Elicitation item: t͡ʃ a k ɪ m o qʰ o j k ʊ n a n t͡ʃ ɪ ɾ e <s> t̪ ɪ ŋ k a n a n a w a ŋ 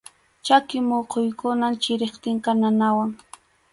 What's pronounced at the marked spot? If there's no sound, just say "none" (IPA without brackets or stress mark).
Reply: χ